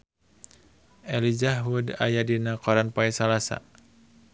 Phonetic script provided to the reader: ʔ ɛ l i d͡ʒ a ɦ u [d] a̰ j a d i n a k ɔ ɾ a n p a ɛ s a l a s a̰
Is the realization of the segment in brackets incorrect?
no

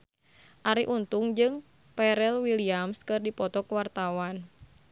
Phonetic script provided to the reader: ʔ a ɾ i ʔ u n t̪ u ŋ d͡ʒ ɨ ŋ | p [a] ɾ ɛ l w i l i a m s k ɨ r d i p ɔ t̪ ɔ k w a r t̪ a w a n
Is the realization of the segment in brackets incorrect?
yes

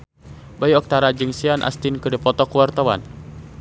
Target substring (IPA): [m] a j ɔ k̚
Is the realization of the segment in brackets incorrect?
yes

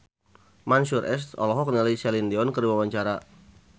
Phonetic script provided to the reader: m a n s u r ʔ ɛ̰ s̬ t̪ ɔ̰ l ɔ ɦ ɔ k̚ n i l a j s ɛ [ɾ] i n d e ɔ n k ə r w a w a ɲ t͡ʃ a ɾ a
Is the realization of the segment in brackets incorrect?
yes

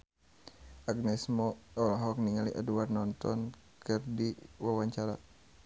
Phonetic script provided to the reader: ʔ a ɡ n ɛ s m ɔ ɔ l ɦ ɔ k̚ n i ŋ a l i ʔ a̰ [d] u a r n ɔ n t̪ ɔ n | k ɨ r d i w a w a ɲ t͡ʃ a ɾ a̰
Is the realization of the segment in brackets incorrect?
no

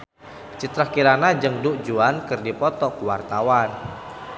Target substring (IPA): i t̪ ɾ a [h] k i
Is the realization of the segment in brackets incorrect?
no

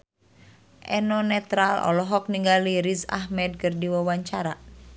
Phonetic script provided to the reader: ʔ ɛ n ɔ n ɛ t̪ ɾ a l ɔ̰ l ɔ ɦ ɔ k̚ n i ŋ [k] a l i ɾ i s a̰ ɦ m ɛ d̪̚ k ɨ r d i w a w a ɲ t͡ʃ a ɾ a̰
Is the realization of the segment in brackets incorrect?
yes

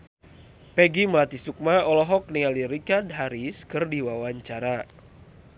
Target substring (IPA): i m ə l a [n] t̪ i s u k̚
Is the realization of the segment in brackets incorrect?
yes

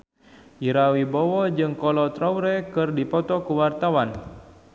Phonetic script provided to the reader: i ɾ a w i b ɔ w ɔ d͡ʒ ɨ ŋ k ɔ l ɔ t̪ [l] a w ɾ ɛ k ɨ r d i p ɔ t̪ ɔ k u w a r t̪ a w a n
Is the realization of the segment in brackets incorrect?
yes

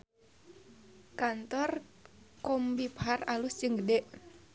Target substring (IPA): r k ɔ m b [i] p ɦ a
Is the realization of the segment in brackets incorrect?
no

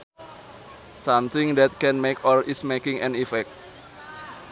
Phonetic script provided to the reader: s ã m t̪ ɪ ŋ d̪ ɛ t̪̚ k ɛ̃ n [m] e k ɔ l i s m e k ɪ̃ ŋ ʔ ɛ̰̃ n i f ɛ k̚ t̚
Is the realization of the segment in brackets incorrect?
no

